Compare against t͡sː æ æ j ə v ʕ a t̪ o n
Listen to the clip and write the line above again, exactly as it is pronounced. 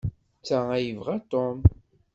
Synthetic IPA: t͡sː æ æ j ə v ʁ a t̪ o m